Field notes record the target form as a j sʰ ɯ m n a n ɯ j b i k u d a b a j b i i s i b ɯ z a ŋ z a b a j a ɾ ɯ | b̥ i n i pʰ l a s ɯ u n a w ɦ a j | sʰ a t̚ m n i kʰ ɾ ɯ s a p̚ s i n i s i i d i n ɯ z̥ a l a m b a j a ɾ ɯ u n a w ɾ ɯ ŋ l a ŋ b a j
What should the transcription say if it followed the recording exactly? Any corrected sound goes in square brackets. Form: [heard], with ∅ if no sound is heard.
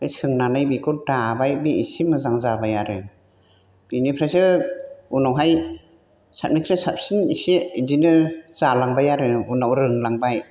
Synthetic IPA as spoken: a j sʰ ɯ [ŋ] n a n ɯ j b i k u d a b a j b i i s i [m] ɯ z a ŋ z a b a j a ɾ ɯ | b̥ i n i pʰ [ɾ] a s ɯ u n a w ɦ a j | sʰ a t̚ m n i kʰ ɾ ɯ s a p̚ s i n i s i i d i n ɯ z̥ a l a [ŋ] b a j a ɾ ɯ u n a w ɾ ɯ ŋ l a ŋ b a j